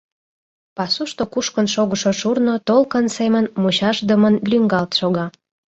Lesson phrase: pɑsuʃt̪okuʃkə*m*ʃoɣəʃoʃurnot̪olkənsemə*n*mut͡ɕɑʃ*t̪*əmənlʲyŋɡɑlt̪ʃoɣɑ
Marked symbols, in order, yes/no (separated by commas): no, yes, no